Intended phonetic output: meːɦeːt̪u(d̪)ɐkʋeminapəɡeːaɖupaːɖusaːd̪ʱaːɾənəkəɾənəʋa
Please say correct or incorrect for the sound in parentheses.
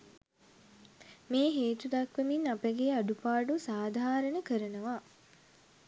correct